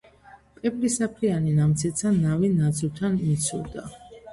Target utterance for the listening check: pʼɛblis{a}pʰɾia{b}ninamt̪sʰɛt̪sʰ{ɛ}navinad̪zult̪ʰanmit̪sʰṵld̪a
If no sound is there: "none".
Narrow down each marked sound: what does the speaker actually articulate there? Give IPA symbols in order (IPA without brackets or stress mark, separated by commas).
a, none, a